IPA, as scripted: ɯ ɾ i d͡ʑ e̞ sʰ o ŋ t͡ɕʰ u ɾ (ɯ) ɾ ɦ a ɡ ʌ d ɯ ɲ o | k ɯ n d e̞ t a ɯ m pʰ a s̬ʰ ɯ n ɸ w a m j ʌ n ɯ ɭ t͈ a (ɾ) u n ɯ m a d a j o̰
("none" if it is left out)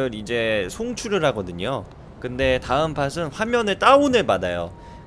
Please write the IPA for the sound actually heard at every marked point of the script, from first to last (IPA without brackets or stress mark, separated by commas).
ɯ, none